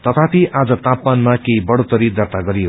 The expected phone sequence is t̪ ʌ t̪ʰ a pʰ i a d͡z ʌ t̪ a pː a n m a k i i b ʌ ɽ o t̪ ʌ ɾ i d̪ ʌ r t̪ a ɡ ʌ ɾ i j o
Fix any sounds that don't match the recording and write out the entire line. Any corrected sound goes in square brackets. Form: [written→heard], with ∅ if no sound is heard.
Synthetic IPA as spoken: t̪ ʌ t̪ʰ a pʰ i a d͡z ʌ t̪ a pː a n m a k [i→e] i b ʌ ɽ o t̪ ʌ ɾ i d̪ ʌ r t̪ a ɡ ʌ ɾ i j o